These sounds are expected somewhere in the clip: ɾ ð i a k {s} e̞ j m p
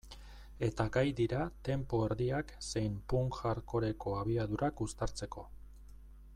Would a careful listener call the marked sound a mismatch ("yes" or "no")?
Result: no